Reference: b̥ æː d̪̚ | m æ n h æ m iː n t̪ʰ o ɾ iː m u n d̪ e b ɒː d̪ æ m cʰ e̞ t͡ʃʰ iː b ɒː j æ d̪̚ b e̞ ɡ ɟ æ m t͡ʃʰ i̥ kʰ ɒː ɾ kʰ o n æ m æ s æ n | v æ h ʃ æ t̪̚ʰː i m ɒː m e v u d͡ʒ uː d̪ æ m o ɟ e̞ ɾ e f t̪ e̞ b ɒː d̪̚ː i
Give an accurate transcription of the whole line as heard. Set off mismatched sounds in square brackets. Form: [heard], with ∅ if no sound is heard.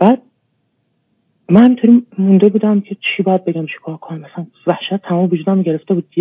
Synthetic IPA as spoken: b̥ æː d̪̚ | m æ n h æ m [i] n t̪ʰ o ɾ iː m u n d̪ e b [uː] d̪ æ m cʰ e̞ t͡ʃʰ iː b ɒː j æ d̪̚ b e̞ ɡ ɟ æ m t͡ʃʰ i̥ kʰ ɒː ɾ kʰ o n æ m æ s æ n | v æ h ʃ æ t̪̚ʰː [æ] m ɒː m e v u d͡ʒ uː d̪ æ m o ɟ e̞ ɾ e f t̪ e̞ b [uː] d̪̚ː i